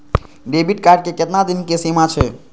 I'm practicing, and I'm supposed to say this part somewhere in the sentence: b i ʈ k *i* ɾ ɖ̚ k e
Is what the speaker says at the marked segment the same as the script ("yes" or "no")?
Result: no